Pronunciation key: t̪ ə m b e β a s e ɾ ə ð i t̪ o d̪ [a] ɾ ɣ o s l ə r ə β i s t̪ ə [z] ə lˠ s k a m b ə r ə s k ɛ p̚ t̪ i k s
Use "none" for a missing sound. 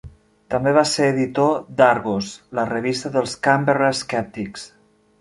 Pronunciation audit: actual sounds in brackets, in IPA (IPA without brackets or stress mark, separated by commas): a, ð